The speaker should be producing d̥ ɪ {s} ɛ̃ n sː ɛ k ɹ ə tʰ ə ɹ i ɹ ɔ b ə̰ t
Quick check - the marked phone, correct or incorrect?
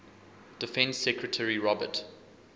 incorrect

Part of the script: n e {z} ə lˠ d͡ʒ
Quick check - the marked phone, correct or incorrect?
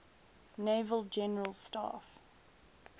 incorrect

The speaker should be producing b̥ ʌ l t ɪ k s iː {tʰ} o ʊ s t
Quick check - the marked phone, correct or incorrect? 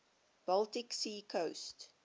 incorrect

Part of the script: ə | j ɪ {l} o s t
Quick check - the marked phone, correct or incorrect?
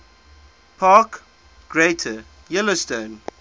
correct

